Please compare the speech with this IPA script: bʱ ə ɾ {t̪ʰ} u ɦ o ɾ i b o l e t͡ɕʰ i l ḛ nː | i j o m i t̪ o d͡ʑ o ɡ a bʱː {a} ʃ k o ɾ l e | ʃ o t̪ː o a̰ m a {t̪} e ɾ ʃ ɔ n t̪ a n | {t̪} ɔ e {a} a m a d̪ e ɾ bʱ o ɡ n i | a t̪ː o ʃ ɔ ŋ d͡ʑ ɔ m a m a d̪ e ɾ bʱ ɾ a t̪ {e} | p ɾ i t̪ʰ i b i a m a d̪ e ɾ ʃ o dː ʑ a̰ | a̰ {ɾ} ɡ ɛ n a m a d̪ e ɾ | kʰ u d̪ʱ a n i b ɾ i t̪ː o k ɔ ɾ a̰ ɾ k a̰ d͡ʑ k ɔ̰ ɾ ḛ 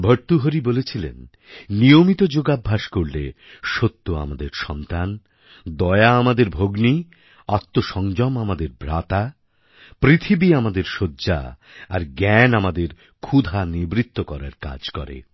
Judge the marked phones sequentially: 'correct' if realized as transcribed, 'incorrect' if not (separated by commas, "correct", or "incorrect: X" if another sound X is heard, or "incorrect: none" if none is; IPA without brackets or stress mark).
incorrect: t̪, correct, incorrect: d̪, incorrect: d̪, correct, incorrect: a, correct